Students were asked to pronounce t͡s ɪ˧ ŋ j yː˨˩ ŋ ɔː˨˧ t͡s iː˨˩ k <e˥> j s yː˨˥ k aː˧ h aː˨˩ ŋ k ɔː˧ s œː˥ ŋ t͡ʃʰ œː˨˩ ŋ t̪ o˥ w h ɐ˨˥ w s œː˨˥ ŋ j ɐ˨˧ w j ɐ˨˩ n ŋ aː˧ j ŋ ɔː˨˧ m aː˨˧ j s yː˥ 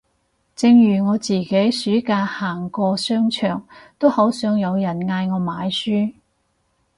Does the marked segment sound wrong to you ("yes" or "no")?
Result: yes